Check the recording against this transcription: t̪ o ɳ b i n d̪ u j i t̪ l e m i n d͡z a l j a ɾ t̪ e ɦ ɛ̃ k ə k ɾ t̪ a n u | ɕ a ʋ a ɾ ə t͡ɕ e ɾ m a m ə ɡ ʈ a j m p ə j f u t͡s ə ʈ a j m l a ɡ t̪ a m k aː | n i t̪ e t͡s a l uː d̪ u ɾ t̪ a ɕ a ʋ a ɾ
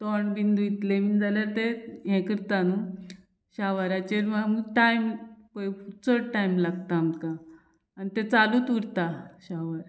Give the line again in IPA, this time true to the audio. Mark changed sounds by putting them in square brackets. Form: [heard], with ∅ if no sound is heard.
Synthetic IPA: t̪ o ɳ b i n d̪ u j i t̪ l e m i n d͡z a l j a ɾ t̪ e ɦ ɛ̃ k ə [∅] ɾ t̪ a n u | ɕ a ʋ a ɾ [a] t͡ɕ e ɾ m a m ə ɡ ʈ a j m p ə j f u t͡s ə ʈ a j m l a ɡ t̪ a m k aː | n i t̪ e t͡s a l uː [t̪] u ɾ t̪ a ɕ a ʋ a ɾ